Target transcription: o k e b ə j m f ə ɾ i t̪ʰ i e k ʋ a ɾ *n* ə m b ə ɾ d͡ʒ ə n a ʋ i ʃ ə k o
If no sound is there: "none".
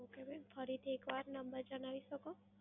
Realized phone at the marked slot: n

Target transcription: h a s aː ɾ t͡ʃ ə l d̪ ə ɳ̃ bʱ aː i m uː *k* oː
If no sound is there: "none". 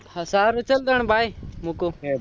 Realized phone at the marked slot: k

